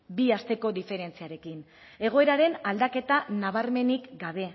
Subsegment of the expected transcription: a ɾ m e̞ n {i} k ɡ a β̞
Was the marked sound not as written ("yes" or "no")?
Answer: no